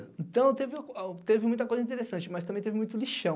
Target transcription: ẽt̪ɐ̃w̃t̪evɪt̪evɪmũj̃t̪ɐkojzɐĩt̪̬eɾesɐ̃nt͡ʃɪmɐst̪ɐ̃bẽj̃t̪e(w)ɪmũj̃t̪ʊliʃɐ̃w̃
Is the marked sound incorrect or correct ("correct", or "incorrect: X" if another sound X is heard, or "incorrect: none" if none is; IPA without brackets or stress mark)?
incorrect: v